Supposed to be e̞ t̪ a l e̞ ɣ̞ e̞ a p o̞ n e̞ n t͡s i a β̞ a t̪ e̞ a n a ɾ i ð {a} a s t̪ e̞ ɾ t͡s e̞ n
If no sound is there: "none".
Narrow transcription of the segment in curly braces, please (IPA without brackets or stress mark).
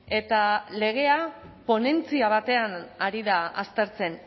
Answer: a